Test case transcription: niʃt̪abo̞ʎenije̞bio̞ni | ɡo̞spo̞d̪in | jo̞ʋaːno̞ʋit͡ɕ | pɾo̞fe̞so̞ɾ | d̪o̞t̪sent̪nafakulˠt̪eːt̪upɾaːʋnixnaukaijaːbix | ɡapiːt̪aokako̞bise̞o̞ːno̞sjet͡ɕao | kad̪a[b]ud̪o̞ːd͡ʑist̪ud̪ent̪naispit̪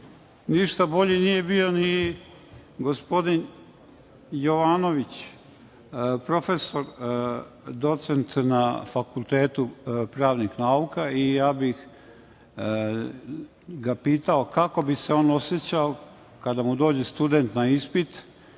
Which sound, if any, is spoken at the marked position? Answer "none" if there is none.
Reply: m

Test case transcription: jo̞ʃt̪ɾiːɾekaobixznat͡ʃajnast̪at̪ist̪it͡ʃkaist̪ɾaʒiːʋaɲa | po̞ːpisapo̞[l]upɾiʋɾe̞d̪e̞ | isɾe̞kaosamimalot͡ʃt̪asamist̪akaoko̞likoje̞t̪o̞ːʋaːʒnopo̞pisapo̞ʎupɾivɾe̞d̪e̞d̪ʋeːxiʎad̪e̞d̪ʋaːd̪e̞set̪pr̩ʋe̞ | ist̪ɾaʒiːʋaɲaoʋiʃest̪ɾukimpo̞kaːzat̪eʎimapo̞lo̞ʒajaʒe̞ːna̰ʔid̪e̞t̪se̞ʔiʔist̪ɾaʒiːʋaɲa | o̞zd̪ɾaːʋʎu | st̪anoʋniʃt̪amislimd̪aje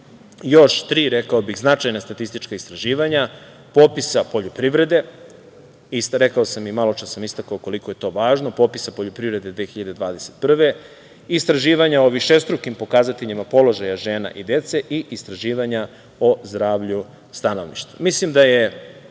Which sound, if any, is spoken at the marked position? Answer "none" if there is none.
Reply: ʎ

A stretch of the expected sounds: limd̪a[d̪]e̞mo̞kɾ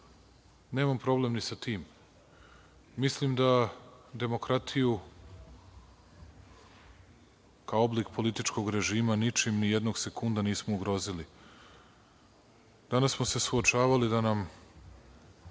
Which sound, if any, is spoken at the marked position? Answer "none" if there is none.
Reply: d̪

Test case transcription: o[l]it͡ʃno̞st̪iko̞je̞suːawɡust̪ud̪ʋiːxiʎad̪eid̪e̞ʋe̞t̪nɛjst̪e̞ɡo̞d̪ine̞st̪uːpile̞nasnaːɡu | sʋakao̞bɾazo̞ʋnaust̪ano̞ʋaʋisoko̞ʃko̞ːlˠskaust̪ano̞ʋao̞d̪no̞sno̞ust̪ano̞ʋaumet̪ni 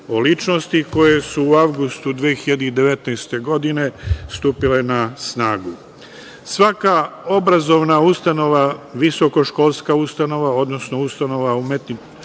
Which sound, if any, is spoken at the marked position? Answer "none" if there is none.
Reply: l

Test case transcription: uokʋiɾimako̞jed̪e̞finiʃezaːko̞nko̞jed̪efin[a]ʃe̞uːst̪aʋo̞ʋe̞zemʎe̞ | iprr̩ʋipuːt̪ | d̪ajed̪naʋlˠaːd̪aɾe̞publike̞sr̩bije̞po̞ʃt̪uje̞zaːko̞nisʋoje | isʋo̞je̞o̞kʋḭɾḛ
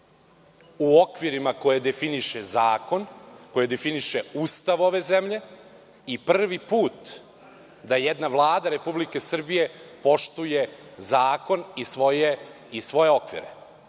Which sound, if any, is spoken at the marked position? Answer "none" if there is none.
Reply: i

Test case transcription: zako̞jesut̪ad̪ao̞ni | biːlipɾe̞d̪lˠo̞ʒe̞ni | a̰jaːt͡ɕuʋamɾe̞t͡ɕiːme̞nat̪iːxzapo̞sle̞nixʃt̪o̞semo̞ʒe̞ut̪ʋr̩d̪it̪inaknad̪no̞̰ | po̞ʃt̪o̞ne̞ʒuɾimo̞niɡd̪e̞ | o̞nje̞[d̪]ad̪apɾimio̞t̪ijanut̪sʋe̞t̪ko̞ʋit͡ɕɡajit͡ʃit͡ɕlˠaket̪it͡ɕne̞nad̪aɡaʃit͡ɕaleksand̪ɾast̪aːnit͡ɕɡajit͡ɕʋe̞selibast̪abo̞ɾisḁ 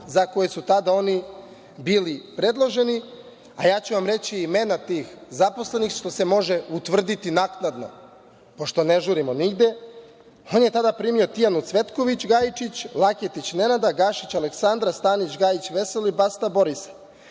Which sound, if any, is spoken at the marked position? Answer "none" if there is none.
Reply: t̪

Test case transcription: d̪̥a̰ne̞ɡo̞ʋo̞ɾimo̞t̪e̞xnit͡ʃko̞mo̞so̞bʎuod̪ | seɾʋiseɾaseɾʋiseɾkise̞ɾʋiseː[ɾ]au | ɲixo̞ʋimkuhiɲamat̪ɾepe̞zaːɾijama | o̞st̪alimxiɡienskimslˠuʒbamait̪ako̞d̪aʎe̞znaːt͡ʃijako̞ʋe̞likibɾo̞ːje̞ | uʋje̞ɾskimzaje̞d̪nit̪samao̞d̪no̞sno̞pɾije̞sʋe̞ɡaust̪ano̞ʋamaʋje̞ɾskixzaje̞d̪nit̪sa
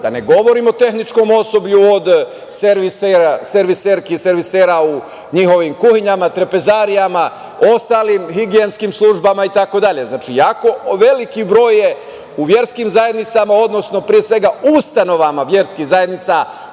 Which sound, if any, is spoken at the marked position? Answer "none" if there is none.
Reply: ɾ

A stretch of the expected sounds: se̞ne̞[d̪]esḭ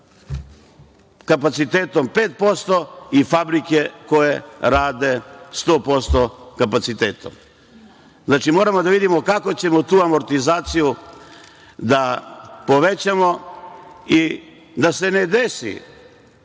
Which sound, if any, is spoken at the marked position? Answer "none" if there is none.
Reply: d̪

